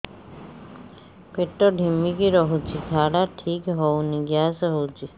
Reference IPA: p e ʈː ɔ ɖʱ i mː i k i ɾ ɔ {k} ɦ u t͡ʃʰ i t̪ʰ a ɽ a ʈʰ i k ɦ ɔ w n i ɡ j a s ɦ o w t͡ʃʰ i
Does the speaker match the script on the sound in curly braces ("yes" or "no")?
no